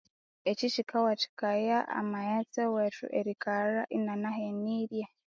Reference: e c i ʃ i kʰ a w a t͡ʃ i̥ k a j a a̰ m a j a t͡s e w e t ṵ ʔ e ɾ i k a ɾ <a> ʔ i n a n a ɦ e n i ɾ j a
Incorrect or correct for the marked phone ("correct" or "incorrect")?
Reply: correct